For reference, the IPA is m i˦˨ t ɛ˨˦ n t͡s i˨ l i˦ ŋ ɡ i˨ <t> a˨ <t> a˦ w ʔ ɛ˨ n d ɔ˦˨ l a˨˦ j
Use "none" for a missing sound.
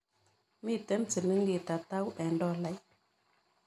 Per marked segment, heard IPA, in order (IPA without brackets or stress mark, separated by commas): t, t